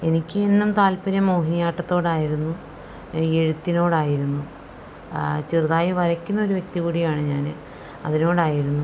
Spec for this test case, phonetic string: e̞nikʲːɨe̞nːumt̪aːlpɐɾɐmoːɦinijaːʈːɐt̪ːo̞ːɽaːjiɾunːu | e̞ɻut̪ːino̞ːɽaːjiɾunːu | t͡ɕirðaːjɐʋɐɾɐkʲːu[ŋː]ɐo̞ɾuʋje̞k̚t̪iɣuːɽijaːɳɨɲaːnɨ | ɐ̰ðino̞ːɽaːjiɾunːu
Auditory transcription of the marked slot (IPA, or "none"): nː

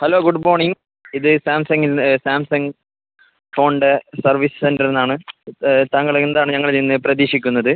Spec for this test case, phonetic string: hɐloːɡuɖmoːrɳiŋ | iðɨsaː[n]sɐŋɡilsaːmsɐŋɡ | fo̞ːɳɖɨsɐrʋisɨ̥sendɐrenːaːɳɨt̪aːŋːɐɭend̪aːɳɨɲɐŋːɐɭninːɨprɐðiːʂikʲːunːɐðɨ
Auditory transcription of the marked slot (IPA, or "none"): m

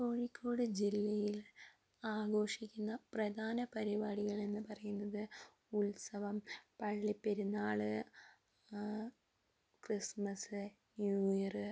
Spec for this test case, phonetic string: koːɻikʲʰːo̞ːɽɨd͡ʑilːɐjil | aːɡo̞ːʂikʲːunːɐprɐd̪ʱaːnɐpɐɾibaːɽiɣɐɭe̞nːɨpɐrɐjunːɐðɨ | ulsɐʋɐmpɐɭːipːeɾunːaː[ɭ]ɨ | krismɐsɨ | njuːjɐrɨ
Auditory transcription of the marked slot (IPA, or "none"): ɭ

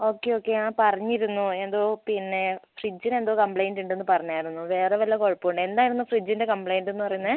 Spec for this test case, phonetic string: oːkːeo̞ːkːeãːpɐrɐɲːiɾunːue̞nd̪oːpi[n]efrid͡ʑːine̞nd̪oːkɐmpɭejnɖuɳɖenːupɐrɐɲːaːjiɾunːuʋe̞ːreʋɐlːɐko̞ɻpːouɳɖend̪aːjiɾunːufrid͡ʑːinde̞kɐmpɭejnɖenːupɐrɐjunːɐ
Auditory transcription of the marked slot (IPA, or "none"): nː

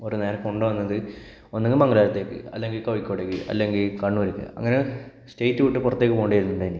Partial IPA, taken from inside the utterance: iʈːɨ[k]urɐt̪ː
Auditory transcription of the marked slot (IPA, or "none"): p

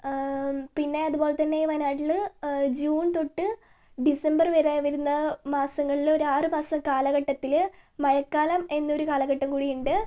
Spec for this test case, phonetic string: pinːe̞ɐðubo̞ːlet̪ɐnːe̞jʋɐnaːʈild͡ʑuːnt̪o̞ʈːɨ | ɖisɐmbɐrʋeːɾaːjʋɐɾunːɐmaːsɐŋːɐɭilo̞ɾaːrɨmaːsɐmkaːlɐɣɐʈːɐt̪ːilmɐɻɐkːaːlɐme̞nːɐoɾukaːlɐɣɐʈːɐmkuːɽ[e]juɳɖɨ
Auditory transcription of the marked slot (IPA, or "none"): i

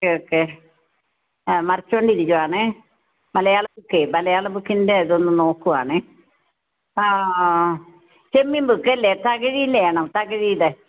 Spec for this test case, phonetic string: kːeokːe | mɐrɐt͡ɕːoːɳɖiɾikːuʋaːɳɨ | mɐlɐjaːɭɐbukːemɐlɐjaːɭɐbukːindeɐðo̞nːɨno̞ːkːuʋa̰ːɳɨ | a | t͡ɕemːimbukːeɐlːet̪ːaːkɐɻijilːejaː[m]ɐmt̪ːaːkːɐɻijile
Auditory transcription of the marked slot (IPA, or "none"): ɳ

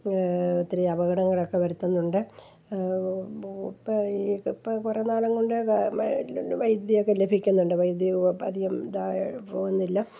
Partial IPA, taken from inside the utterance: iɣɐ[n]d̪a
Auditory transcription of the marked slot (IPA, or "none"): m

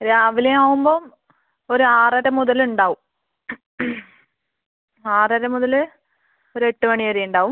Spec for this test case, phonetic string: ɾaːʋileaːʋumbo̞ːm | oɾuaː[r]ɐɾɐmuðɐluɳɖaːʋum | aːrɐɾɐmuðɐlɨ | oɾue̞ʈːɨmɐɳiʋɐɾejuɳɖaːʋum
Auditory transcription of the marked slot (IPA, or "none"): r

